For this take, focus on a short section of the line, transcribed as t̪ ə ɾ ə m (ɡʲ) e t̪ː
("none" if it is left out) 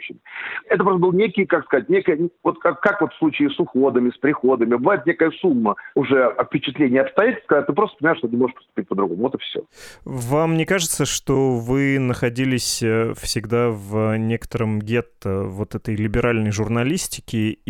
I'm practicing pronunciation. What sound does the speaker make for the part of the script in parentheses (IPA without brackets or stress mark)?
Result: ɡʲ